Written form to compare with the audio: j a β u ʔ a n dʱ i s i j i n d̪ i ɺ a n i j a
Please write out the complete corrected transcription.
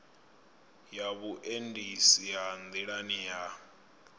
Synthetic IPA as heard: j a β u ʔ e n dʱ i s i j a n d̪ i ɺ a n i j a